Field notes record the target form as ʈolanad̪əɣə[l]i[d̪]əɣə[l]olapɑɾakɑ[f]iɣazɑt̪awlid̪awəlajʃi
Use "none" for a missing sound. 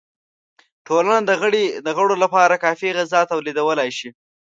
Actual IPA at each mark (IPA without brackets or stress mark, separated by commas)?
ɽ, d̪, ɽ, f